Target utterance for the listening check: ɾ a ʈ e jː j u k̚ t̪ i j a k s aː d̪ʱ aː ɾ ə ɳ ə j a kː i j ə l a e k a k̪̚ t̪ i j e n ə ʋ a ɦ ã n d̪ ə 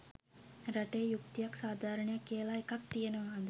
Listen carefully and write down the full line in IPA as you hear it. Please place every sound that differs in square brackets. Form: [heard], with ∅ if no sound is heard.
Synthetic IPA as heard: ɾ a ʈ e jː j u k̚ t̪ i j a k s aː d̪ʱ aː ɾ ə ɳ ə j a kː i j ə l a e k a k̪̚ t̪ i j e n ə ʋ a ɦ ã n d̪ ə